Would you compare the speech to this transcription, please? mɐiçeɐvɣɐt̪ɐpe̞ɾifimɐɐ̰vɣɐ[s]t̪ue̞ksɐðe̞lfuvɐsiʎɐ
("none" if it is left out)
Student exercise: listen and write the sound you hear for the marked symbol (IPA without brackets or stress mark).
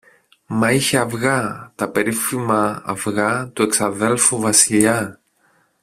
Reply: none